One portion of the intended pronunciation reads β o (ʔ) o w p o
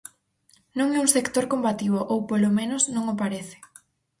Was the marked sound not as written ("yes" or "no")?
no